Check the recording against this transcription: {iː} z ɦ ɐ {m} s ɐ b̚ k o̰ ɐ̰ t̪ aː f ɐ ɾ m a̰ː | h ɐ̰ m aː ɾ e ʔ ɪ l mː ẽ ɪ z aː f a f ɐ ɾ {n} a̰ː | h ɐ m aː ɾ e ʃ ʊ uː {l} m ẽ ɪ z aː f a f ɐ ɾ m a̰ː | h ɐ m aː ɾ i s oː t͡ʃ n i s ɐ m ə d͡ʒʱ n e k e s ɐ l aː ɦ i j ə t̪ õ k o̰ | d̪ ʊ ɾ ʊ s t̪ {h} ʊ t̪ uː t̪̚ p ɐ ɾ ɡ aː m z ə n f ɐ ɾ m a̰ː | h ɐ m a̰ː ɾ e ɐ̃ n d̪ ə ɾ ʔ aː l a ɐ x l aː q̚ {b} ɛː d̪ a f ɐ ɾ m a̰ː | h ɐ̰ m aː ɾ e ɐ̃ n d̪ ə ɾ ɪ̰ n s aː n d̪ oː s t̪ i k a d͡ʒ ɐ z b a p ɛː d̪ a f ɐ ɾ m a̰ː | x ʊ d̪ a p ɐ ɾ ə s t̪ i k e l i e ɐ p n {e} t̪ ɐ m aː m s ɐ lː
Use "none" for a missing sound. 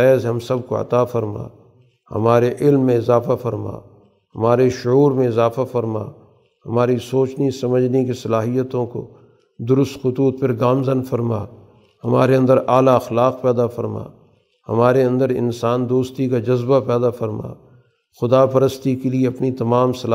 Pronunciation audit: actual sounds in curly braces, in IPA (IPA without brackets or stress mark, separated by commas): ɛː, m, m, ɾ, x, p, i